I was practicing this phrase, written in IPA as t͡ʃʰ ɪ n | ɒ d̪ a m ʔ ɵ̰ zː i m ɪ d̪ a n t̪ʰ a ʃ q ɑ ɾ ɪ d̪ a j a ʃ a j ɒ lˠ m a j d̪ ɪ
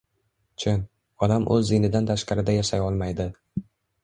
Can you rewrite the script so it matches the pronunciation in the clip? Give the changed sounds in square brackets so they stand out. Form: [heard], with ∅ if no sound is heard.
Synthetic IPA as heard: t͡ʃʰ ɪ n | ɒ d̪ a m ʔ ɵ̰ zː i [n] ɪ d̪ a n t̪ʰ a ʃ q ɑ ɾ ɪ d̪ a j a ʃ a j ɒ lˠ m a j d̪ ɪ